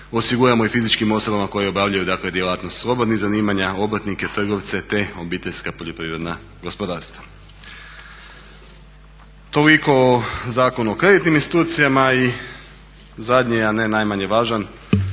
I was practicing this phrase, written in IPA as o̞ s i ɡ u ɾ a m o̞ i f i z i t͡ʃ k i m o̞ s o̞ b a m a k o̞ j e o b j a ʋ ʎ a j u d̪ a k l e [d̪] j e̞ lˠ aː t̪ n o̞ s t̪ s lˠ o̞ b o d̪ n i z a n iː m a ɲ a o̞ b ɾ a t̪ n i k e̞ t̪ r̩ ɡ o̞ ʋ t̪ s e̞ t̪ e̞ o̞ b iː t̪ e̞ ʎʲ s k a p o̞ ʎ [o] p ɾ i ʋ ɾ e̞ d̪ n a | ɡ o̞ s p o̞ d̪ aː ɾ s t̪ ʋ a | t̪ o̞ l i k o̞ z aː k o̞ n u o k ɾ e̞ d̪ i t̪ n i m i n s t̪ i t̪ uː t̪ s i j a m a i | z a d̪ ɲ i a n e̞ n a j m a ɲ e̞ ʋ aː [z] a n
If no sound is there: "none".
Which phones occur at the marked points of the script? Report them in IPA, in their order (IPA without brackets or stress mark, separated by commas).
d̪, o, ʒ